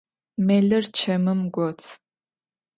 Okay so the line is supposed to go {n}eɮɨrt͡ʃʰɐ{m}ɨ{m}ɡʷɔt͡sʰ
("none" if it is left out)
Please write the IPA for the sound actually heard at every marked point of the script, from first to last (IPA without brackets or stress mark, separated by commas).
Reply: m, m, m